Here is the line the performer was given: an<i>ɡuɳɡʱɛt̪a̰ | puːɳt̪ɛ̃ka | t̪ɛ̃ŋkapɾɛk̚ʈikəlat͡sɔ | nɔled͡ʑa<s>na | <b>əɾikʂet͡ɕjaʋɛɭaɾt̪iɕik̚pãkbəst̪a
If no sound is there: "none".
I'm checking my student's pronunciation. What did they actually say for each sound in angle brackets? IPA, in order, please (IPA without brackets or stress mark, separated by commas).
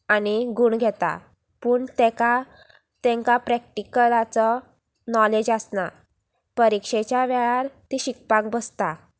i, s, p